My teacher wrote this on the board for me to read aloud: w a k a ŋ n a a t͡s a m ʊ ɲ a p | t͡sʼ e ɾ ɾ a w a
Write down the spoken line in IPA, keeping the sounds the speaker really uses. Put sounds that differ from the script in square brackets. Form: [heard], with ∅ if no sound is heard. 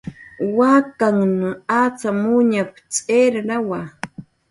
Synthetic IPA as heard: w a k a ŋ n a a t͡s a m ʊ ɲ a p | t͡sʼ e ɾ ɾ a w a